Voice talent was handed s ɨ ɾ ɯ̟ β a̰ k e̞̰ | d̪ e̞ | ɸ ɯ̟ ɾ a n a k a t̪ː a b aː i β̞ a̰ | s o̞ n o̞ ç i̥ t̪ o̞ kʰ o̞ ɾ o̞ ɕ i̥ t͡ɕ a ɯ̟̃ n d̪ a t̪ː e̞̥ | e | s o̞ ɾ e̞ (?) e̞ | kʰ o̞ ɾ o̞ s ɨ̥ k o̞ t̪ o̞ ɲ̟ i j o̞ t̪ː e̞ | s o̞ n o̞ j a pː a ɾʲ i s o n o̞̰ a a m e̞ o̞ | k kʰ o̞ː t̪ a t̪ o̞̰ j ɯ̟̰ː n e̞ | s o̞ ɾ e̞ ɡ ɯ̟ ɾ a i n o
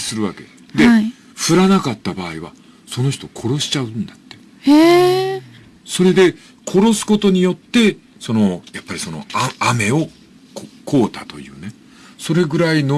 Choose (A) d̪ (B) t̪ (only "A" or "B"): A